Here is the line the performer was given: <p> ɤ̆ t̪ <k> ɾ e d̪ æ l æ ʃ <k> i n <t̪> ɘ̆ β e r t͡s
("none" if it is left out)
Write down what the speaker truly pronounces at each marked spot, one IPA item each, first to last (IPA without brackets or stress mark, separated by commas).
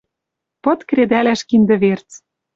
p, k, k, d̪